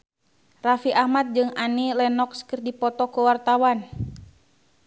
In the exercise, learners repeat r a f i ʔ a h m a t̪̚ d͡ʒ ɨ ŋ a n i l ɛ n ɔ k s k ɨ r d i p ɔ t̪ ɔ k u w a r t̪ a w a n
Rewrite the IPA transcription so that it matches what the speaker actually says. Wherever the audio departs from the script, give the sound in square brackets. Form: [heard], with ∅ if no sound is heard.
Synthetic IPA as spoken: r a f i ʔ a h m a t̪̚ d͡ʒ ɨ ŋ a n i l ɛ n ɔ k s k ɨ r d i p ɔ t̪ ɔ k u w a r t̪ a w a n